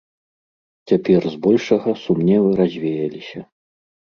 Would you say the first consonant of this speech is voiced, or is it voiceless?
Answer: voiceless